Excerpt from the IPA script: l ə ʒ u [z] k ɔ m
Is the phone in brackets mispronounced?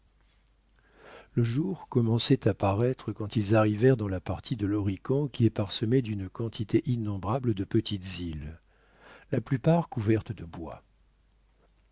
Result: yes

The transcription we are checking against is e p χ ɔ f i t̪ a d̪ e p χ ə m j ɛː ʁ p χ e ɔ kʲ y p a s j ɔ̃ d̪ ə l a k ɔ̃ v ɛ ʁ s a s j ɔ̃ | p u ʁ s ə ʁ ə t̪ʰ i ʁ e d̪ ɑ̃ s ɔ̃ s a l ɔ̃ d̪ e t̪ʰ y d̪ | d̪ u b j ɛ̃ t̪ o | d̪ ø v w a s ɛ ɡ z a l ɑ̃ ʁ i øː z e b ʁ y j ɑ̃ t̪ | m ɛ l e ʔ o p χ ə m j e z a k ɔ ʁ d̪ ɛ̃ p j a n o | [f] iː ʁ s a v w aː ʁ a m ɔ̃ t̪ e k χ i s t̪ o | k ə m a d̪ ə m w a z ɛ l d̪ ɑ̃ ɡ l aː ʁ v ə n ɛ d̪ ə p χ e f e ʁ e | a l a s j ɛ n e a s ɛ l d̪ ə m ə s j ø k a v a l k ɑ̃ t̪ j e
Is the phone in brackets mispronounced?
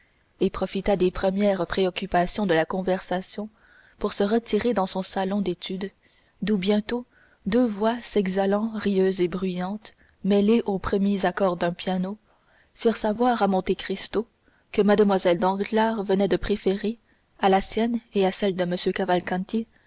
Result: no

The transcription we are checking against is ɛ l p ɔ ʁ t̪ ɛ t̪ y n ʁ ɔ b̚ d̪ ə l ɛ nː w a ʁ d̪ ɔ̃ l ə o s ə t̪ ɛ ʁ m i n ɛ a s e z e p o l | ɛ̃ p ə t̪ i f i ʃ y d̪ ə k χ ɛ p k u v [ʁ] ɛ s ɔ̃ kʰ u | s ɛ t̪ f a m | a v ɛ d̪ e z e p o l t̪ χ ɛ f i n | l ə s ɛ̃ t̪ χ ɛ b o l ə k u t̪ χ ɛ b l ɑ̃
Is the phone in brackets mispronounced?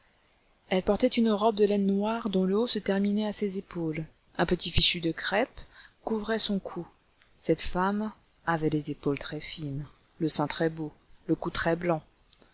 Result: no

